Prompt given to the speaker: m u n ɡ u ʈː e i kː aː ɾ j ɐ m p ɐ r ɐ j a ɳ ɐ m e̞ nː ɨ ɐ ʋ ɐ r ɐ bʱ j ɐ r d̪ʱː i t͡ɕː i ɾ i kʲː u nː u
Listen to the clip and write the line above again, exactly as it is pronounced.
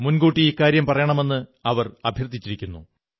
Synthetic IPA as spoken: m u n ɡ uː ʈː i i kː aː ɾ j ɐ m p ɐ r ɐ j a ɳ ɐ m e̞ nː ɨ ɐ ʋ ɐ r ɐ bʱ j ɐ r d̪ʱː i t͡ɕː i ɾ i kʲː u nː u